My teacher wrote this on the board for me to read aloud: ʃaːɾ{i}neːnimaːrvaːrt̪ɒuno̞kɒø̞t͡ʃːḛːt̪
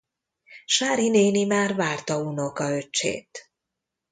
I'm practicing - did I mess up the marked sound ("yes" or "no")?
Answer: no